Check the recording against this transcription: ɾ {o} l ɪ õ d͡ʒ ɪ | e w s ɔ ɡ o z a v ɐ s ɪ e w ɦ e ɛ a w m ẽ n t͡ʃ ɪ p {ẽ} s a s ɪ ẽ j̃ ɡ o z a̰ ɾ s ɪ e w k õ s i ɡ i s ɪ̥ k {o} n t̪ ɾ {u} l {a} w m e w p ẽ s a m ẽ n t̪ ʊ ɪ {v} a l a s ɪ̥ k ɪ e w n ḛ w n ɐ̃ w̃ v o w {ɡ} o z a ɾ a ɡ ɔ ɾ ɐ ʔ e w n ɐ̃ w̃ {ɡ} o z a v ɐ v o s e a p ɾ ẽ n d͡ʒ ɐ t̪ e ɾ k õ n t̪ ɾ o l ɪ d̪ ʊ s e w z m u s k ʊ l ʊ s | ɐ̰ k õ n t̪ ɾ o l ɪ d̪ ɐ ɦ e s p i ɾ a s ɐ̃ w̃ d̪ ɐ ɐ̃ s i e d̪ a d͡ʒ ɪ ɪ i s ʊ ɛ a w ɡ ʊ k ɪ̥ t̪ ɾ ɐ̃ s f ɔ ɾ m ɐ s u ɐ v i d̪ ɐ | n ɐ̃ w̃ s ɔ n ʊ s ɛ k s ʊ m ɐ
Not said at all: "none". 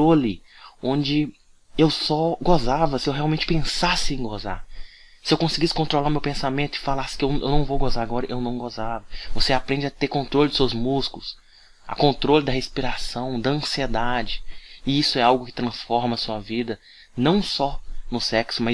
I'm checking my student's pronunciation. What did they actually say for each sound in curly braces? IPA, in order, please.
o, ẽ, õ, o, a, f, ɡ, ɡ

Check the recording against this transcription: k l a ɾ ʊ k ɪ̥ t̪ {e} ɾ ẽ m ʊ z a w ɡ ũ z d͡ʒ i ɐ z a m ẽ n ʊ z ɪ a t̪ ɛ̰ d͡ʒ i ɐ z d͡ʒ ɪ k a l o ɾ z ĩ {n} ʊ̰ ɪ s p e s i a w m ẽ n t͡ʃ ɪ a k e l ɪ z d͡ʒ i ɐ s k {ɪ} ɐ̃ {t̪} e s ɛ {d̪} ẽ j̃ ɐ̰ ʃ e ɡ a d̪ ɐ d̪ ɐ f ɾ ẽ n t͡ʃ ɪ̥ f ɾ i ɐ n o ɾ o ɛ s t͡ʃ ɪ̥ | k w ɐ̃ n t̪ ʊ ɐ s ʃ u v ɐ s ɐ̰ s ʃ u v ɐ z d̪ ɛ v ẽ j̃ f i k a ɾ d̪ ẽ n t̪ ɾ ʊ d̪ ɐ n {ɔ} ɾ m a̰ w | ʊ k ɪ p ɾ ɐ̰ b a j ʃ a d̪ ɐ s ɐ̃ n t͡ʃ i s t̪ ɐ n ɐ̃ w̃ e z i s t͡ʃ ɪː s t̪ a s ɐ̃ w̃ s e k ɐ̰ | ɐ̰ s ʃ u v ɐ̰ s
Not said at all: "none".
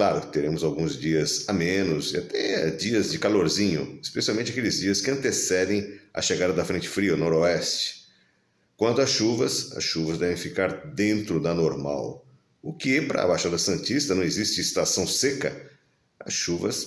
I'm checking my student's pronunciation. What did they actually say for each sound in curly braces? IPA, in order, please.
e, ɲ, ɪ, t̪, d̪, o

